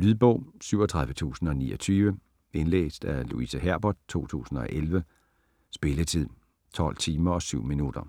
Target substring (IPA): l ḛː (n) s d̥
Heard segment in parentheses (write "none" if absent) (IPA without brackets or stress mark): none